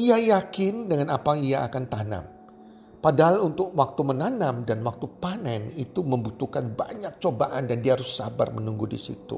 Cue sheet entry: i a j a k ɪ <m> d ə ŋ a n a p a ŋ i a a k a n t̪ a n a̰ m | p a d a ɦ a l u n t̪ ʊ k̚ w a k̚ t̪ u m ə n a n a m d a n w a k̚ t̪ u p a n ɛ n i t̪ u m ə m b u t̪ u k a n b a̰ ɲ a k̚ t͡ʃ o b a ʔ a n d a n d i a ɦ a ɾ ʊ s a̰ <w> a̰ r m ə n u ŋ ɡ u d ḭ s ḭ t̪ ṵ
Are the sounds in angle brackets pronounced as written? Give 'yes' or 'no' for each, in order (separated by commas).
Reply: no, no